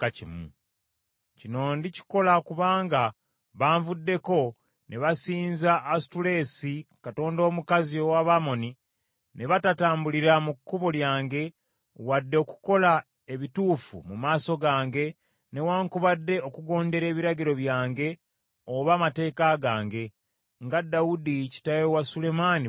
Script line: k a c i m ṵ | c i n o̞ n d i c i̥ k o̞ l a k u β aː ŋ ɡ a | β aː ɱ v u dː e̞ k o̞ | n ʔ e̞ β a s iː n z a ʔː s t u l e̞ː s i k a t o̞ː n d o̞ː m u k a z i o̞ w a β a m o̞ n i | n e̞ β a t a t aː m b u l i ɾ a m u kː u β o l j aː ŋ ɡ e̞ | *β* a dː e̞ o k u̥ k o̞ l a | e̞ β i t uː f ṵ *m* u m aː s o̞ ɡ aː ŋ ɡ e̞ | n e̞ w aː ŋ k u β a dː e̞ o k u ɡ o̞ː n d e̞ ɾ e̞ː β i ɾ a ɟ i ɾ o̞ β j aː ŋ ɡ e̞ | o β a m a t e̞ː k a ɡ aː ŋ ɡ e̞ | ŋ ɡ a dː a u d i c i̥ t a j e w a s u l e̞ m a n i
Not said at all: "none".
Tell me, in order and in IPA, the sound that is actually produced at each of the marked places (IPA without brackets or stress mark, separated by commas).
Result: w, m